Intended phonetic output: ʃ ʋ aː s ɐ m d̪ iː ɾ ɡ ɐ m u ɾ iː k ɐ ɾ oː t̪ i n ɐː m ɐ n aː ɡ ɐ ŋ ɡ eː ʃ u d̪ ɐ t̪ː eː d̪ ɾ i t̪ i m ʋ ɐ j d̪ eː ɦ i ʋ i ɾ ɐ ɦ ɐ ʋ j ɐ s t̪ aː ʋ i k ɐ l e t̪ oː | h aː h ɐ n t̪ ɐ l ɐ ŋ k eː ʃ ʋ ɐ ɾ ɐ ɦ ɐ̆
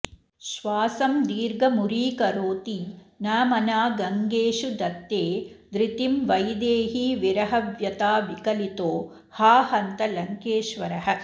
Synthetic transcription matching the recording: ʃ ʋ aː s ɐ m d̪ iː ɾ ɡ ɐ m u ɾ iː k ɐ ɾ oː t̪ i n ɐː m ɐ n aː ɡ ɐ ŋ ɡ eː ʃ u d̪ ɐ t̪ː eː d̪ ɾ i t̪ i m ʋ ɐ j d̪ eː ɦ i ʋ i ɾ ɐ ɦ ɐ ʋ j ɐ t̪ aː ʋ i k ɐ l i t̪ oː | h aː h ɐ n t̪ ɐ l ɐ ŋ k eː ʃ ʋ ɐ ɾ ɐ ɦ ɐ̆

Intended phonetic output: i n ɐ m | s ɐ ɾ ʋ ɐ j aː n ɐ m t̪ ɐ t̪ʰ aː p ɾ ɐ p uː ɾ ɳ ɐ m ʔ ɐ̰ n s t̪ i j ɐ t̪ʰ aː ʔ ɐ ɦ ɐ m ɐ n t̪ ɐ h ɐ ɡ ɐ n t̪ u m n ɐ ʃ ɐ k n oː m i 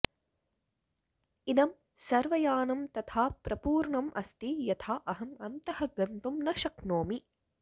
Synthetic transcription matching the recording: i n ɐ m | s ɐ ɾ ʋ ɐ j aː n ɐ m t̪ ɐ t̪ʰ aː p ɾ ɐ p uː ɾ ɳ ɐ m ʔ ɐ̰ s t̪ i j ɐ t̪ʰ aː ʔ ɐ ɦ ɐ m ɐ n t̪ ɐ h ɐ ɡ ɐ n t̪ u m n ɐ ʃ ɐ k n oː m i

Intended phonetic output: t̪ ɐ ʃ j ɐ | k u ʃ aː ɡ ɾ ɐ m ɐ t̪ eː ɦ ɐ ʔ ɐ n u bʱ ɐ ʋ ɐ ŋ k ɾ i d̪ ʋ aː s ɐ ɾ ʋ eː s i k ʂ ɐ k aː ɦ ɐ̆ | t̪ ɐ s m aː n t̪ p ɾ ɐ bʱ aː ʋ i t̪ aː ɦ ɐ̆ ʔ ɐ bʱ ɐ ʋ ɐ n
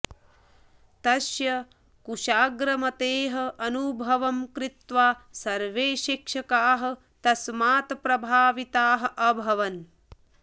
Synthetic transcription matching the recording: t̪ ɐ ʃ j ɐ | k u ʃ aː ɡ ɾ ɐ m ɐ t̪ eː ɦ ɐ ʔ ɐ n u bʱ ɐ ʋ ɐ m k ɾ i t̪ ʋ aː s ɐ ɾ ʋ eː ʃ i k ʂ ɐ k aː ɦ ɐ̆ | t̪ ɐ s m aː t̪ p ɾ ɐ bʱ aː ʋ i t̪ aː ɦ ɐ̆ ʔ ɐ bʱ ɐ ʋ ɐ n

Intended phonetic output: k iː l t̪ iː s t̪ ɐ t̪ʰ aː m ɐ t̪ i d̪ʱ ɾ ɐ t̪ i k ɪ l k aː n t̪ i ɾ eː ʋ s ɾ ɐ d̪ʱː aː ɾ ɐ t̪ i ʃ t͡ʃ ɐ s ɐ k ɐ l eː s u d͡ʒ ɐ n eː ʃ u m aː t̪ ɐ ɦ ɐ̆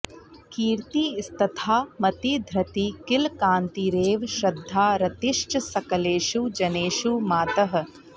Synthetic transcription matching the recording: k iː ɾ t̪ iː s t̪ ɐ t̪ʰ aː m ɐ t̪ i d̪ʱ ɾ ɐ t̪ i k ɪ l k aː n t̪ i ɾ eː ʋ ʃ ɾ ɐ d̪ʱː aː ɾ ɐ t̪ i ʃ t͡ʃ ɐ s ɐ k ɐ l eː ʃ u d͡ʒ ɐ n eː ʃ u m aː t̪ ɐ ɦ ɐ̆

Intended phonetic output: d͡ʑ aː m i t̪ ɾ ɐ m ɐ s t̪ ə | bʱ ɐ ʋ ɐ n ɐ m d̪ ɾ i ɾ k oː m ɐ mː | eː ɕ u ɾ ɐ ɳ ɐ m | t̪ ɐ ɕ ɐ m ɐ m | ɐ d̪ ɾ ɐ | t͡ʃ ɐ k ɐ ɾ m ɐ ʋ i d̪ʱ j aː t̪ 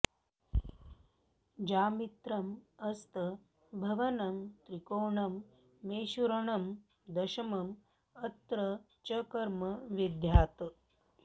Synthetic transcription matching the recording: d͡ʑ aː m i t̪ ɾ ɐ m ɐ s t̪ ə | bʱ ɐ ʋ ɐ n ɐ m t̪ ɾ i k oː ɳ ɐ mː | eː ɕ u ɾ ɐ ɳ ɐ m | d̪ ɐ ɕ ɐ m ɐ m | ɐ t̪ ɾ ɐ | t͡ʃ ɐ k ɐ ɾ m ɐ ʋ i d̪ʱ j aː t̪

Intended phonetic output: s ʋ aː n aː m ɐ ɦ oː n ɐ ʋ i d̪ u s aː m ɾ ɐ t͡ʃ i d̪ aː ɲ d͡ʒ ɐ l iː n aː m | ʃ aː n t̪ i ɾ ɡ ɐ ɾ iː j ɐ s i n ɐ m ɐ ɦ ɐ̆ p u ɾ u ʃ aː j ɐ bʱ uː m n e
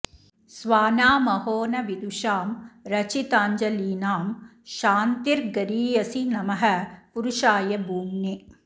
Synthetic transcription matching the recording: s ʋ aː n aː m ɐ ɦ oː n ɐ ʋ i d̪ u ʃ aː m ɾ ɐ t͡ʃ i t̪ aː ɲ d͡ʒ ɐ l iː n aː m | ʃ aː n t̪ i ɾ ɡ ɐ ɾ iː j ɐ s i n ɐ m ɐ ɦ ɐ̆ p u ɾ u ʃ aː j ɐ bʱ uː m n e

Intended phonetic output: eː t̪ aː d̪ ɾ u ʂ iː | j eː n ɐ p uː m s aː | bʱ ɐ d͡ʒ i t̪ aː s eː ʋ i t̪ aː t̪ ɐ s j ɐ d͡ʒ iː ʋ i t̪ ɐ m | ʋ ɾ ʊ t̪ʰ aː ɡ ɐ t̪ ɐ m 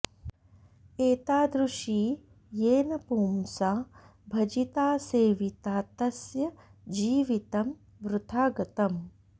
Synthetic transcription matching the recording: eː t̪ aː d̪ ɾ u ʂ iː | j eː n ɐ p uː m s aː | bʱ ɐ d͡ʒ i t̪ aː s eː ʋ i t̪ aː t̪ ɐ s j ɐ d͡ʒ iː ʋ i t̪ ɐ m | ʋ ɾ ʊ t̪ʰ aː ɡ ɐ t̪ ɐ m

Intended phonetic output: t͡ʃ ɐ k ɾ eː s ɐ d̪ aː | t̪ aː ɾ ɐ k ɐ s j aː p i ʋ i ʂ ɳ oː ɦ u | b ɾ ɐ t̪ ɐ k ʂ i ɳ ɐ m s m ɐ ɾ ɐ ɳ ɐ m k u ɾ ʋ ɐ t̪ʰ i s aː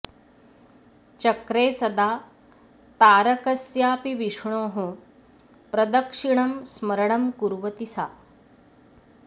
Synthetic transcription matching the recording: t͡ʃ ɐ k ɾ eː s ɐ d̪ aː | t̪ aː ɾ ɐ k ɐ s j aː p i ʋ i ʂ ɳ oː ɦ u | p ɾ ɐ d̪ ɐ k ʂ i ɳ ɐ m s m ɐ ɾ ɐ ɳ ɐ m k u ɾ ʋ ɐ t̪ i s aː

